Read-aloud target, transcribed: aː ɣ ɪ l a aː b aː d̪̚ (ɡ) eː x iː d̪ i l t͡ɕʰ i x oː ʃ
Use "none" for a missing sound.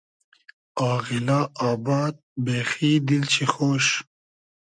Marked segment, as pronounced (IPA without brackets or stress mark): b